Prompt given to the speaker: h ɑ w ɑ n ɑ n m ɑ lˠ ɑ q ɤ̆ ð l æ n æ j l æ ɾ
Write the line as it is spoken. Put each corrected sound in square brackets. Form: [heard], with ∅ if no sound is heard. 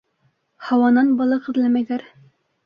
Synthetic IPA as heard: h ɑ w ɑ n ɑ n [b] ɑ lˠ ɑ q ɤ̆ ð l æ [m] æ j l æ ɾ

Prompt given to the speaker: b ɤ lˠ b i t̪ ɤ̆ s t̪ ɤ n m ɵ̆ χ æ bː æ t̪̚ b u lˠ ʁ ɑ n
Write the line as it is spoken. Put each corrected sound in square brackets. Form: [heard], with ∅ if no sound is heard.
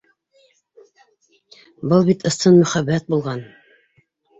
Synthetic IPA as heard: b ɤ lˠ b i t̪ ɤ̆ s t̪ ɤ n m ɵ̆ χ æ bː æ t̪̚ b u lˠ ʁ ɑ n

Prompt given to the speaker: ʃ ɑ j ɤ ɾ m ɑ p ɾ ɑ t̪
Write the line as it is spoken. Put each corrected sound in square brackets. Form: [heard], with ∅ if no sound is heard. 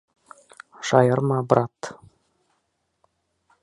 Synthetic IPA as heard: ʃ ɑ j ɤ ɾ m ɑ [b] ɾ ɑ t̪

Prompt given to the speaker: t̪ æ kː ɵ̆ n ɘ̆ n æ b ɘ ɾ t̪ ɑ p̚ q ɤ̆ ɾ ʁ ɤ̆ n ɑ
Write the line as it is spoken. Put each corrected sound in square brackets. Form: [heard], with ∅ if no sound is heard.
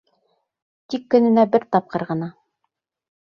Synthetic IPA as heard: t̪ [i] kː ɵ̆ n ɘ̆ n æ b ɘ ɾ t̪ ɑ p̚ q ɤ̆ ɾ ʁ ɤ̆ n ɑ

